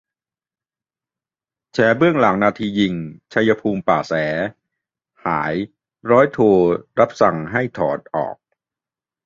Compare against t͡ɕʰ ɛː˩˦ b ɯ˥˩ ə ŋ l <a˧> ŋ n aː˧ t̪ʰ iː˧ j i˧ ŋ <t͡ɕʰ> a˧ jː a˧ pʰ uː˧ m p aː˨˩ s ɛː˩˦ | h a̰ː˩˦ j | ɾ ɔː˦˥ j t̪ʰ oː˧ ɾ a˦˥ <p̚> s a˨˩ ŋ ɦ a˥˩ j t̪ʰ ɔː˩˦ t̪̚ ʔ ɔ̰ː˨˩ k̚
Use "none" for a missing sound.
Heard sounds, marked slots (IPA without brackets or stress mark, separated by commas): a˩˦, t͡ɕʰ, p̚